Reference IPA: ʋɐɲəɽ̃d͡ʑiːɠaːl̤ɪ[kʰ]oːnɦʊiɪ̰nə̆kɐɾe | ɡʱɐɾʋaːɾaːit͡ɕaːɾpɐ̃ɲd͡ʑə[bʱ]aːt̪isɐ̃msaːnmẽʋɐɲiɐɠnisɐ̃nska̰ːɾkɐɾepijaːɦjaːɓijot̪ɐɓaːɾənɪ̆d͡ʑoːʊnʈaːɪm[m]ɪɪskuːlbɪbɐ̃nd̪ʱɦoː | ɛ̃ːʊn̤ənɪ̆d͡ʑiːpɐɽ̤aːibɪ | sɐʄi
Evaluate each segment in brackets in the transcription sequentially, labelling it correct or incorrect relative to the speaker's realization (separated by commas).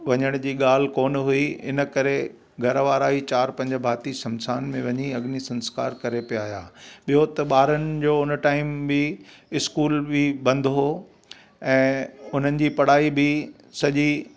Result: incorrect, correct, incorrect